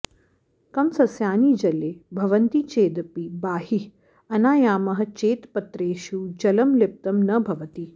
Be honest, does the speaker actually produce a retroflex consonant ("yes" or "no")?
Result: no